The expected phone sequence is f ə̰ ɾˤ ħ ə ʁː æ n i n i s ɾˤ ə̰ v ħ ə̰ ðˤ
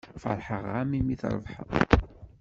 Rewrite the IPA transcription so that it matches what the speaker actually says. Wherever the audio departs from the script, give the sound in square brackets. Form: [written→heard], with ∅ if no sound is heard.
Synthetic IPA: f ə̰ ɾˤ ħ ə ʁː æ [n→m] i [n→m] i [s→θ] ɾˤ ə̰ v ħ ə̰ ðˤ